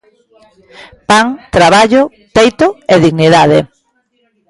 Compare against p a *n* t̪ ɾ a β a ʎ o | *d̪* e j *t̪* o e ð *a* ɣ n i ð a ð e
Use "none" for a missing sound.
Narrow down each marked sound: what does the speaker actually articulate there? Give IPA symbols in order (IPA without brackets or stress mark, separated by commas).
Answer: ŋ, t̪, t̪, i